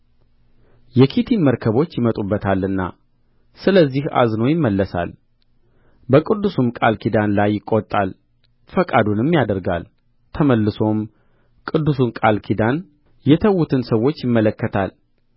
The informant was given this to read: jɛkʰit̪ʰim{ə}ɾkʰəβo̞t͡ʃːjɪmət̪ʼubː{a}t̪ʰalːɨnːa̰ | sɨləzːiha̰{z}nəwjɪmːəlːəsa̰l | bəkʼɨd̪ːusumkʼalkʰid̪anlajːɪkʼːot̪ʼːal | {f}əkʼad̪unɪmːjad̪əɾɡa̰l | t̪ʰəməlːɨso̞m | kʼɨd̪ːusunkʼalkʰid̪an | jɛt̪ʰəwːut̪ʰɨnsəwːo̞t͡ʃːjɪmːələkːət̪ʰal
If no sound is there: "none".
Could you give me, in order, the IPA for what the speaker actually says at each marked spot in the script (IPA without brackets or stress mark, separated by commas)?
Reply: ə, ə, z, f